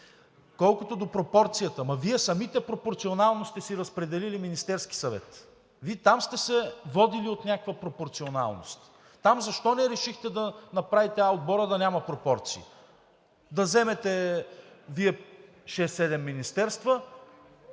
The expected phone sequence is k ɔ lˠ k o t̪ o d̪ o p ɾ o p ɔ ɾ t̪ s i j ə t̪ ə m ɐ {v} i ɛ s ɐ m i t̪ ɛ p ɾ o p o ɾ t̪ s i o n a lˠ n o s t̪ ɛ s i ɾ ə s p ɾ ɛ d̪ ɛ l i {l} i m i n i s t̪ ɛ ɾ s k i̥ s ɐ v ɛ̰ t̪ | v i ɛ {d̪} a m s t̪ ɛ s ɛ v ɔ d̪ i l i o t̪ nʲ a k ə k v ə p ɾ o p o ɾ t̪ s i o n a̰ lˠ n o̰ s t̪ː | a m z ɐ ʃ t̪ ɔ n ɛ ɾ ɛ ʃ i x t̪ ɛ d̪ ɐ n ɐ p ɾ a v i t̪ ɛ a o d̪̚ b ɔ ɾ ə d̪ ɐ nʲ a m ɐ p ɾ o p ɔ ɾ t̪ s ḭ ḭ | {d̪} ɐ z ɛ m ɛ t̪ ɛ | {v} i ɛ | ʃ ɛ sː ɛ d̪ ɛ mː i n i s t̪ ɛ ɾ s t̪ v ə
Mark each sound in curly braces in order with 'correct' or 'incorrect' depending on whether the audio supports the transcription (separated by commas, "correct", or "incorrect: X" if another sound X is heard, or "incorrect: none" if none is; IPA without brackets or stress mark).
correct, correct, incorrect: t̪, correct, correct